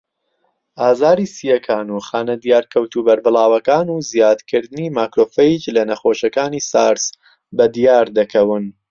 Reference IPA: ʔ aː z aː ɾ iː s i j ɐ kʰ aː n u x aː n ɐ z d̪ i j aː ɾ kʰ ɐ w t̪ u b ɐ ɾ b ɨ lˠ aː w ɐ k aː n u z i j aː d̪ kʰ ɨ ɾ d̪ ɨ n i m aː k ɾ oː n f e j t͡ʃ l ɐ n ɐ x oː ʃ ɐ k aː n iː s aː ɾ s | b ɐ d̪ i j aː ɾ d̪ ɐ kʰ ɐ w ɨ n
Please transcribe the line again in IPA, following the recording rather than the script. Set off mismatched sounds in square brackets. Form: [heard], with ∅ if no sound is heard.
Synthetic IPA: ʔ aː z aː ɾ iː s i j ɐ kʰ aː n u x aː n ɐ [∅] d̪ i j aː ɾ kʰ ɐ w t̪ u b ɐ ɾ b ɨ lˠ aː w ɐ k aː n u z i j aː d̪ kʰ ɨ ɾ d̪ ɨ n i m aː k ɾ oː [∅] f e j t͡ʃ l ɐ n ɐ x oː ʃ ɐ k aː n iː s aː ɾ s | b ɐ d̪ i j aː ɾ d̪ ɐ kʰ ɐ w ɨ n